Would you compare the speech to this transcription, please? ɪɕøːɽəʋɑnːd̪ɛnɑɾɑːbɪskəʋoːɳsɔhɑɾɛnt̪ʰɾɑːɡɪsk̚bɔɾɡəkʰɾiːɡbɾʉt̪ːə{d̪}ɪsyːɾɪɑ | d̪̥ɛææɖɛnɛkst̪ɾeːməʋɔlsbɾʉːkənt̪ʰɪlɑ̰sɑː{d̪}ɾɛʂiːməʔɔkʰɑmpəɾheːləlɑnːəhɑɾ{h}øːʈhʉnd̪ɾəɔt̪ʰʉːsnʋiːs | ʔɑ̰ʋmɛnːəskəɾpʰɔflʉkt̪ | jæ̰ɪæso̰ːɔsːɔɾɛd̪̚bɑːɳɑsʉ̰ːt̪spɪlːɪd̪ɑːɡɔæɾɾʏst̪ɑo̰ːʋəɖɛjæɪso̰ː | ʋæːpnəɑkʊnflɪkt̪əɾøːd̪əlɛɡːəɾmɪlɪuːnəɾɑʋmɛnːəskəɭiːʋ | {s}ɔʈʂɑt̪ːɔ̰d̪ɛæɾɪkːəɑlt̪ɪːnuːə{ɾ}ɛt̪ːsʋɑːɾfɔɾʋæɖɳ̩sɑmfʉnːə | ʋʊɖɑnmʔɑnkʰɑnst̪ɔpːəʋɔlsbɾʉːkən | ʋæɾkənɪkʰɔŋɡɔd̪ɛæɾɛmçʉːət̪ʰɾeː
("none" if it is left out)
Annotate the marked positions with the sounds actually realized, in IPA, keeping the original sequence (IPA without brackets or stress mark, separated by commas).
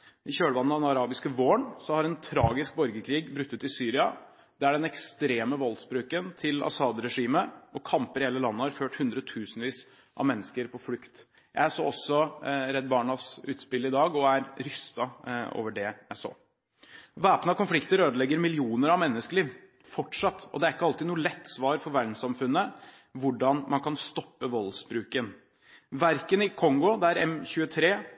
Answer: t̪, d̪, f, f, l